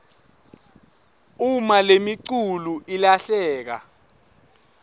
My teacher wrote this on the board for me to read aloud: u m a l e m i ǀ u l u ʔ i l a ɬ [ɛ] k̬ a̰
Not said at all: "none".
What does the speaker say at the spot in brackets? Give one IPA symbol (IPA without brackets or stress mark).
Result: ɛː